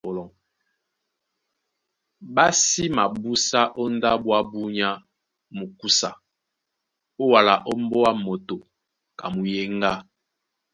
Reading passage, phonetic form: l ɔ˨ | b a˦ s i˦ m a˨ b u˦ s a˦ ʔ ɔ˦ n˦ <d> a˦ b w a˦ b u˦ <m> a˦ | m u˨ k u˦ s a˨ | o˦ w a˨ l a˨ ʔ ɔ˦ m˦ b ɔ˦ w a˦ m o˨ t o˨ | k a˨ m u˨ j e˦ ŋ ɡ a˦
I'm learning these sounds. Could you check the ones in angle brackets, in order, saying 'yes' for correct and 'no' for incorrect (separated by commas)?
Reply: yes, no